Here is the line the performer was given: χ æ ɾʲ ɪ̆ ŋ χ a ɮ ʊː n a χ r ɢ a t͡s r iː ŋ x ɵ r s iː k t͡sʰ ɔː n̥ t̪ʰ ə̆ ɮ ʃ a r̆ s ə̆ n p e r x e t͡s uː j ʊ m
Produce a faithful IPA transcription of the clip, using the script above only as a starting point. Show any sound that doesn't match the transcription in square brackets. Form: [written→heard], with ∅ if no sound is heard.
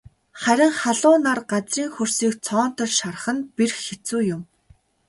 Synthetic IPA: χ æ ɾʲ ɪ̆ ŋ χ a ɮ ʊː n a [χ→∅] r ɢ a t͡s r iː ŋ x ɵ r s iː k t͡sʰ ɔː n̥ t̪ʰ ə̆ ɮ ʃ a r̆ [s→χ] ə̆ n p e r x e t͡s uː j ʊ m